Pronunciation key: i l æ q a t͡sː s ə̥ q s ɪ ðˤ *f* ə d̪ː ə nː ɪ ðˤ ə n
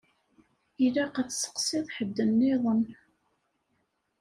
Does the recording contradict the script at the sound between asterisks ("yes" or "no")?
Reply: yes